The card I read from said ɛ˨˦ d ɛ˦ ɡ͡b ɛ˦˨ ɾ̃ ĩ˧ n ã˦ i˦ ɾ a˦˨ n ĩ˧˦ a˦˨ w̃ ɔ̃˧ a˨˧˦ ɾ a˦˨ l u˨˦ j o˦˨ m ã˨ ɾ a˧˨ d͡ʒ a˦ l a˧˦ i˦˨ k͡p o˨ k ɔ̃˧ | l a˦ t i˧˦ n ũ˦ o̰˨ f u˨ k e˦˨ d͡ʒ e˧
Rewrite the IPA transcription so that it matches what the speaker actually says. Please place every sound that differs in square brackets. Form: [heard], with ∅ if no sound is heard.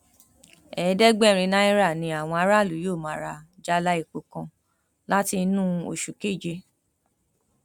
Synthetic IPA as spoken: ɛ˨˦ d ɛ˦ ɡ͡b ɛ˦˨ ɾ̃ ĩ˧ n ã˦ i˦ ɾ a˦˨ n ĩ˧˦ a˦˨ w̃ ɔ̃˧ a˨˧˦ ɾ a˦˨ l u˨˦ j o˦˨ m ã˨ ɾ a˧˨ d͡ʒ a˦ l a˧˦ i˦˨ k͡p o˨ k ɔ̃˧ | l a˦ t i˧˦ n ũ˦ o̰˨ [ʃ] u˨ k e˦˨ d͡ʒ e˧